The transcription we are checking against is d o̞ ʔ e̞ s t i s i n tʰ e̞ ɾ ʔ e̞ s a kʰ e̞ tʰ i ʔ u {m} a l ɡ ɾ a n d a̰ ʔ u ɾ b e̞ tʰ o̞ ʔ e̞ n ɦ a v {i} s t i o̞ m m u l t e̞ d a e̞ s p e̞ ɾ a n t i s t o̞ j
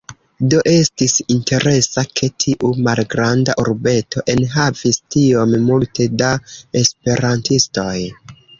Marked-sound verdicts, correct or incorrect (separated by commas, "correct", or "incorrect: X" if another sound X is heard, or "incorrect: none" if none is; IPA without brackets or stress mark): correct, correct